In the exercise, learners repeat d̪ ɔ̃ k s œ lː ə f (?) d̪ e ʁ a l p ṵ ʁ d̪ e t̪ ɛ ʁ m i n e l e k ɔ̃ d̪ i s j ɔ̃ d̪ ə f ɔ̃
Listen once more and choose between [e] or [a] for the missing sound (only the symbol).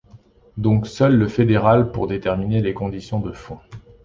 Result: e